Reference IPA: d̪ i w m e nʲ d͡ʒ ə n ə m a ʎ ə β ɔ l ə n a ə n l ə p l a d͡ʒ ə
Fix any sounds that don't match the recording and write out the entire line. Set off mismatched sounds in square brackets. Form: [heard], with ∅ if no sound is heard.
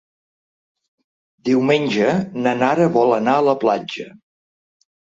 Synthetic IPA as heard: d̪ i w m e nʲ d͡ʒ ə n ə [n] a [ɾ] ə β ɔ l ə n a ə [∅] l ə p l a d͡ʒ ə

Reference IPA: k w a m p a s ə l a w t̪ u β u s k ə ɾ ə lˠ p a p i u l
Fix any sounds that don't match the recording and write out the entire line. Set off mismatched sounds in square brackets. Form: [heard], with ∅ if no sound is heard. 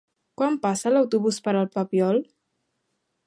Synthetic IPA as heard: k w a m p a s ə l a w t̪ u β u s [p] ə ɾ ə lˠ p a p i [ɔ] l

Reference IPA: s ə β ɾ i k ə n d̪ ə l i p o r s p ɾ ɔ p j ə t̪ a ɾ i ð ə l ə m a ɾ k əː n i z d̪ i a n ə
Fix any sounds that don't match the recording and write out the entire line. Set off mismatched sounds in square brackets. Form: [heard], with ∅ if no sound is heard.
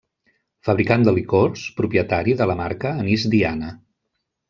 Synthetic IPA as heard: [f] ə β ɾ i k [a] n d̪ ə l i [k] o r s p ɾ [u] p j ə t̪ a ɾ i ð ə l ə m a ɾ k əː n i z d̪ i a n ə

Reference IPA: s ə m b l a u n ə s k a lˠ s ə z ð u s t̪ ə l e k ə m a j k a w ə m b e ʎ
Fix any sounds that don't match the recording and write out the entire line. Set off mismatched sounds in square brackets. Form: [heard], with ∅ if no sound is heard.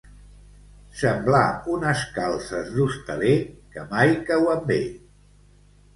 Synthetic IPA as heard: s ə m b l a u n ə s k a lˠ s ə z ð u s t̪ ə l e k ə m a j k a w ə m b e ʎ

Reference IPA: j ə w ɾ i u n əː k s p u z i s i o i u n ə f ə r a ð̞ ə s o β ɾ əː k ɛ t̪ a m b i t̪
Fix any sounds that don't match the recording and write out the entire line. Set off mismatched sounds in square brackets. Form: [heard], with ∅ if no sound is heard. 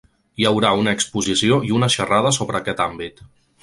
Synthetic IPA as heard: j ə w ɾ [a] u n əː k s p u z i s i o i u n ə [ʃ] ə r a ð̞ ə s o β ɾ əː k ɛ t̪ a m b i t̪

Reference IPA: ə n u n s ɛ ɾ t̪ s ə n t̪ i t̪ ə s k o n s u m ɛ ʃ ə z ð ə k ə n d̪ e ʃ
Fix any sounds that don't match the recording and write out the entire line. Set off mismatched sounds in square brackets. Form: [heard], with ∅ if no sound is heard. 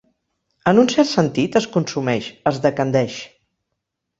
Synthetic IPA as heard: ə n u n s ɛ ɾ t̪ s ə n t̪ i t̪ ə s k [u] n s u m ɛ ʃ ə z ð ə k ə n d̪ [ɛ] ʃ

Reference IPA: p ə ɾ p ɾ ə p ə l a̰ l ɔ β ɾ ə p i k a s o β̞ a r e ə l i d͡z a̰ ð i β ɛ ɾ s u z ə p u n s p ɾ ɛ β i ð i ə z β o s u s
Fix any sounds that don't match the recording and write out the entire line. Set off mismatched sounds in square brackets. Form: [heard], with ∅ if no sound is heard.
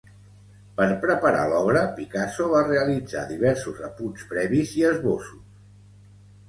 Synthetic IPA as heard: p ə ɾ p ɾ ə p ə [ɾ] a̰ l ɔ β ɾ ə p i k a s o β̞ a r e ə l i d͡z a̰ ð i β ɛ ɾ s u z ə p u n s p ɾ ɛ β i [z] i ə z β o s u s

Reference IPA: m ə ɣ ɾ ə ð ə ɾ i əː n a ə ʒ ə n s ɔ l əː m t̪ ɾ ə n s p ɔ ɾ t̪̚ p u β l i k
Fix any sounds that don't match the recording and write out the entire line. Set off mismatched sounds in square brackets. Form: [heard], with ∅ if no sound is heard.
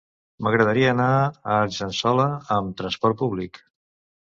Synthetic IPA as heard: m ə ɣ ɾ ə ð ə ɾ i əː n a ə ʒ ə n s ɔ l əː m t̪ ɾ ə n s p ɔ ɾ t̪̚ p u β l i k

